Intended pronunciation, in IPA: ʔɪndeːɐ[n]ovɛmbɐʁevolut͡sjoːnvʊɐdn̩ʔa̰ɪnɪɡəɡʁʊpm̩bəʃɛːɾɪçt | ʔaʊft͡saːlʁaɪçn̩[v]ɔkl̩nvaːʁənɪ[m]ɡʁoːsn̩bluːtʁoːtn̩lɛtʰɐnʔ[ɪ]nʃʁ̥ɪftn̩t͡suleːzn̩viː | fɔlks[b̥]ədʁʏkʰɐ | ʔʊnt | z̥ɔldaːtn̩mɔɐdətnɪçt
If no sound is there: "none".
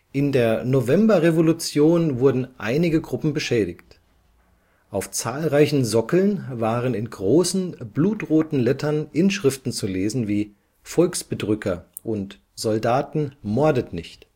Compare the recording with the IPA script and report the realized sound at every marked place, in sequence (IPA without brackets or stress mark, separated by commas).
n, z, n, ɪ, b̥